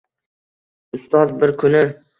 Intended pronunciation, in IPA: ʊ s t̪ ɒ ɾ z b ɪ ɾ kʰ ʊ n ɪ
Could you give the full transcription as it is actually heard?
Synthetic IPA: ʊ s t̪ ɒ z b ɪ ɾ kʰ ʊ n ɪ